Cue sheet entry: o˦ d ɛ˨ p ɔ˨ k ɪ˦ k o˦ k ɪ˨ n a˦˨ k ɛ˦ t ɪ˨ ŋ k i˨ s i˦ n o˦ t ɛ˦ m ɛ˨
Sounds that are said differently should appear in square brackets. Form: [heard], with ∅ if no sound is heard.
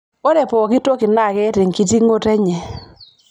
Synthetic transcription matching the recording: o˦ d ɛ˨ p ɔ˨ k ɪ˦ [t] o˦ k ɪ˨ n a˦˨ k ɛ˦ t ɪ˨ ŋ k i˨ [t] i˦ [ŋ] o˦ t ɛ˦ [ɲ] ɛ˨